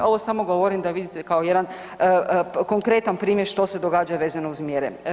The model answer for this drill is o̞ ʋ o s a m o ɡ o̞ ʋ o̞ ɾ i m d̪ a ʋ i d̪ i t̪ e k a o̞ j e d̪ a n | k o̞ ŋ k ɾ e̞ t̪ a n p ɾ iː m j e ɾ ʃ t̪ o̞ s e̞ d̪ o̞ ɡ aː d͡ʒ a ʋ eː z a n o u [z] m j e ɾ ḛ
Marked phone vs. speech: correct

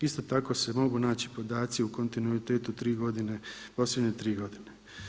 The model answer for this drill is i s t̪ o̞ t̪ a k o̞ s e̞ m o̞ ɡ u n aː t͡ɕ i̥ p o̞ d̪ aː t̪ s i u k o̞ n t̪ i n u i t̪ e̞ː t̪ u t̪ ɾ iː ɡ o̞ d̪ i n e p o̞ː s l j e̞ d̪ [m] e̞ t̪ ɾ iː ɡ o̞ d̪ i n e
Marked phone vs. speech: incorrect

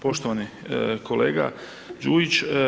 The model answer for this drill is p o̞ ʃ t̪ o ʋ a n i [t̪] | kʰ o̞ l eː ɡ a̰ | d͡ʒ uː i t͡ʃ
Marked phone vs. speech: incorrect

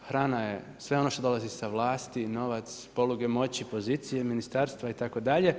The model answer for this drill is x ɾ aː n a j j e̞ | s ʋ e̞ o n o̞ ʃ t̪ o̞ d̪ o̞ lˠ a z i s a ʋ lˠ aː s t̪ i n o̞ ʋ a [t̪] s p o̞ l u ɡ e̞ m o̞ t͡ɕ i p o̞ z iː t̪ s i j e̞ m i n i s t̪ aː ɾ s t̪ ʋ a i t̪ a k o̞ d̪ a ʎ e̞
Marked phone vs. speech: correct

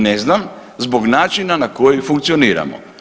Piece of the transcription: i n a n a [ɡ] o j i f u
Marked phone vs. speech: incorrect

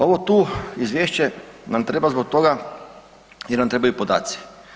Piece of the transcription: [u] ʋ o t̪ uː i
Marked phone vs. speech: incorrect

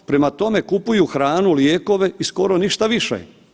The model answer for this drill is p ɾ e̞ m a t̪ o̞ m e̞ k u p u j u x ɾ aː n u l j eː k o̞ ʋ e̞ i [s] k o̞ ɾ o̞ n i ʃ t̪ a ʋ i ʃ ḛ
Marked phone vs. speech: correct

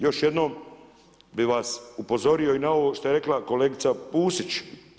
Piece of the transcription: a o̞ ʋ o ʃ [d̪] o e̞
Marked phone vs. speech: incorrect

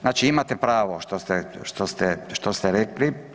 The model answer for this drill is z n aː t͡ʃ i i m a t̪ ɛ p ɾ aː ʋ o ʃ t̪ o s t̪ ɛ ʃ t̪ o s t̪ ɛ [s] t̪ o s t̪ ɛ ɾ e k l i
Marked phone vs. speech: incorrect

